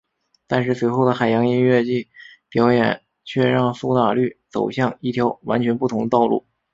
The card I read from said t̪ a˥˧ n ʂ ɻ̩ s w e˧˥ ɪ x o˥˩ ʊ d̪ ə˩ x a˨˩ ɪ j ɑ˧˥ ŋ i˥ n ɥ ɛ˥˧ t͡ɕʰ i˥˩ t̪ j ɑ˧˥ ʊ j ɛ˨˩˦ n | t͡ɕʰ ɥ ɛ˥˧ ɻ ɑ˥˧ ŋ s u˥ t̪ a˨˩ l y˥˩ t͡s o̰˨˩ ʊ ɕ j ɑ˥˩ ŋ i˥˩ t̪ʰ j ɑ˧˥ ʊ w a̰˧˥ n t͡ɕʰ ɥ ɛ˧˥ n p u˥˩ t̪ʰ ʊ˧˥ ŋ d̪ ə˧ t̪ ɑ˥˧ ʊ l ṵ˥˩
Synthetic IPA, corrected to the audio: t̪ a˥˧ n ʂ ɻ̩ s w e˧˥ ɪ x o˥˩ ʊ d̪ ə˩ x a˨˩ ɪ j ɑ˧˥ ŋ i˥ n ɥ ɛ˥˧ t͡ɕ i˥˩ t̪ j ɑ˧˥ ʊ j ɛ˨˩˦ n | t͡ɕʰ ɥ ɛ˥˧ ɻ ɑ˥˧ ŋ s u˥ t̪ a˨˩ l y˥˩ t͡s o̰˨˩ ʊ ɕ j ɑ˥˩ ŋ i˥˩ t̪ʰ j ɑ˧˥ ʊ w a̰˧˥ n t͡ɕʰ ɥ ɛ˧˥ n p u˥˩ t̪ʰ ʊ˧˥ ŋ d̪ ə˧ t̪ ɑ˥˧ ʊ l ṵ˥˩